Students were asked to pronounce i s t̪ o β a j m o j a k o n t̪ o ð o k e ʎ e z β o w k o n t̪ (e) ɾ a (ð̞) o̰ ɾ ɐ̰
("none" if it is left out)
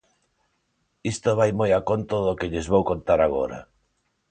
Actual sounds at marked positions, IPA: a, ɣ̞

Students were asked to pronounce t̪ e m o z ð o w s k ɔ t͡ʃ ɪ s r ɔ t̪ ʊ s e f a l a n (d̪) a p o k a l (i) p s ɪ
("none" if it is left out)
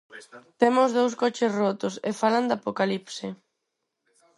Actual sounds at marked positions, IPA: d̪, i

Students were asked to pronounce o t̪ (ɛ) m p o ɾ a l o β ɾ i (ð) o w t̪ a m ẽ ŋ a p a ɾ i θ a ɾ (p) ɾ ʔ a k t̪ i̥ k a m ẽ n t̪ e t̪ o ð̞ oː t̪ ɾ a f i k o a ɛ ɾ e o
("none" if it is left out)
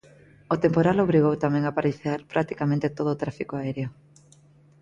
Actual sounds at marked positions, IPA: e, ɣ, p

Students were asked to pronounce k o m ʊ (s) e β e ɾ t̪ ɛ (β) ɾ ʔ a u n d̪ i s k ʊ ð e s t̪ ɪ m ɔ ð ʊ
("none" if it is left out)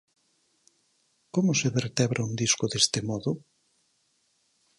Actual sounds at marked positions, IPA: s, β

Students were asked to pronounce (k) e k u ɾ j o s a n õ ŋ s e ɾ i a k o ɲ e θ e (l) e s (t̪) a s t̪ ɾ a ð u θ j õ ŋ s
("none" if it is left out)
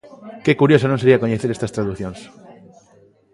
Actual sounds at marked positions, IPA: k, ɾ, t̪

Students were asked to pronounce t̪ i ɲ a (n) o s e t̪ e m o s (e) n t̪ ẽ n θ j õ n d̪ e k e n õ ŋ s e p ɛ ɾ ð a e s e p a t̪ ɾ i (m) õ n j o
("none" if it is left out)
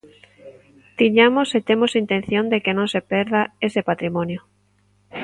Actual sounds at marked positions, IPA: m, i, m

